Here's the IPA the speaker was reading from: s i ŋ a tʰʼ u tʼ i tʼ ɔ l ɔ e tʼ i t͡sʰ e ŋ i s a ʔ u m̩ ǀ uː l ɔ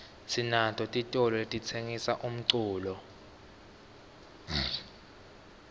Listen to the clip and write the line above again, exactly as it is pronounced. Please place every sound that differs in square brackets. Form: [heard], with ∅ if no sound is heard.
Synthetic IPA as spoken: s i [n] a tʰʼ [ɔ] tʼ i tʼ ɔ l ɔ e tʼ i t͡sʰ e ŋ i s a ʔ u m̩ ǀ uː l ɔ